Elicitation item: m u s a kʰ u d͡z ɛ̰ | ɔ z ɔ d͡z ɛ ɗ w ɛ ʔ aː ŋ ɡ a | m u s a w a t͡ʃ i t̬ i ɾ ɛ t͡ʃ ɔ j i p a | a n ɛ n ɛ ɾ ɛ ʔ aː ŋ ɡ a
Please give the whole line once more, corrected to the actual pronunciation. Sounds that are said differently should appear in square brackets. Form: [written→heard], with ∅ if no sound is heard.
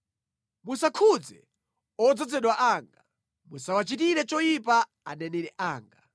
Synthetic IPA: m u s a kʰ u d͡z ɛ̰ | ɔ [z→d͡z] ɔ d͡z ɛ ɗ w [ɛ→a] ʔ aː ŋ ɡ a | m u s a w a t͡ʃ i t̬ i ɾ ɛ t͡ʃ ɔ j i p a | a n ɛ n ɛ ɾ ɛ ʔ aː ŋ ɡ a